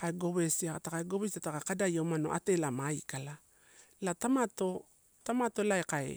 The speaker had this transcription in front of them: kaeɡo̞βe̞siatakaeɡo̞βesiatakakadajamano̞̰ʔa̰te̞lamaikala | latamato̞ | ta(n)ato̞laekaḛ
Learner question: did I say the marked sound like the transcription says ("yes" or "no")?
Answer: no